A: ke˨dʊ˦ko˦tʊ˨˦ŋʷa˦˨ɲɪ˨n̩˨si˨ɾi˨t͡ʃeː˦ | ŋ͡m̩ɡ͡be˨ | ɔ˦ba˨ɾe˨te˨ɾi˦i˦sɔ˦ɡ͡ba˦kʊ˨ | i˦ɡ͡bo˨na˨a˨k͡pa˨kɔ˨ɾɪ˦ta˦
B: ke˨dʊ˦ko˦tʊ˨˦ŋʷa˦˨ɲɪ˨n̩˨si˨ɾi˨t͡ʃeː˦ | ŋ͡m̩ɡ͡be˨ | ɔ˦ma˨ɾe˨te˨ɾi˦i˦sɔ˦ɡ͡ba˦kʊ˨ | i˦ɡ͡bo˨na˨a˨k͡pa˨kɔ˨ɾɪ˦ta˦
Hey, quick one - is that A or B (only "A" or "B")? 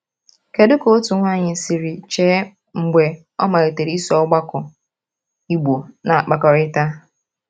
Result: B